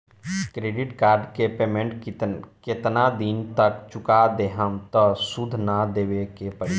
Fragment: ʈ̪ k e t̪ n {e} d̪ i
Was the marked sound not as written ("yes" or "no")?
yes